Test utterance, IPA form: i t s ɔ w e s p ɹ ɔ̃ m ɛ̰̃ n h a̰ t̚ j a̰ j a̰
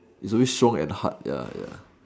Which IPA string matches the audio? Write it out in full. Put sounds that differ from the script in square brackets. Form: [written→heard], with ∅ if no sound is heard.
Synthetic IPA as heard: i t s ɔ w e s [p→t] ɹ ɔ̃ [m→ŋ] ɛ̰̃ n h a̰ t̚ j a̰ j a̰